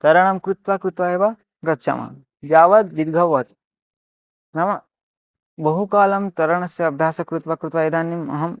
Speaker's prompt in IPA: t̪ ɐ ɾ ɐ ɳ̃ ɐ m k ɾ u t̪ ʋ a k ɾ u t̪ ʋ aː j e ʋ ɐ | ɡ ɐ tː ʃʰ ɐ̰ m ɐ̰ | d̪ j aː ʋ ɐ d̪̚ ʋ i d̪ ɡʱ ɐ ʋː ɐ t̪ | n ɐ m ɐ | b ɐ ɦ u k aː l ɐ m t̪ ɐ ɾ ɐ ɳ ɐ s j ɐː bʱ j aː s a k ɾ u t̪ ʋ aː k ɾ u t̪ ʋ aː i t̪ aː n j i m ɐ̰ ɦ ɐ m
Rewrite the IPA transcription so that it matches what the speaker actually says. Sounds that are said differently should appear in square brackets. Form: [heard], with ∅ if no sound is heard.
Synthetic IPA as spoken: t̪ ɐ ɾ ɐ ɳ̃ ɐ m k ɾ u t̪ ʋ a k ɾ u t̪ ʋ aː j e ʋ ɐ | ɡ ɐ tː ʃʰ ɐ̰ m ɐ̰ | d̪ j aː ʋ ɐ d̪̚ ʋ i d̪ ɡʱ ɐ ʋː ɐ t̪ | n ɐ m ɐ | b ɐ ɦ u k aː l ɐ m t̪ ɐ ɾ ɐ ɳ ɐ s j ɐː bʱ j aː s [ɐ] k ɾ u t̪ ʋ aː k ɾ u t̪ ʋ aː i [d̪] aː n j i m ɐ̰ ɦ ɐ m